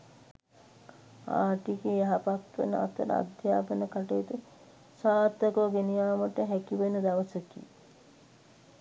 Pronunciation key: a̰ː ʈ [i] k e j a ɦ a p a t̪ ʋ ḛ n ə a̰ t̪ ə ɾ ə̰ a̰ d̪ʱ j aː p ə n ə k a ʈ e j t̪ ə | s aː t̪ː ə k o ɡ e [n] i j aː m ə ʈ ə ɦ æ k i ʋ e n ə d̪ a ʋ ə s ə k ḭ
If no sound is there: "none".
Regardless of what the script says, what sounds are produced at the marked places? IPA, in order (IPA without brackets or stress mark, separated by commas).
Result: i, n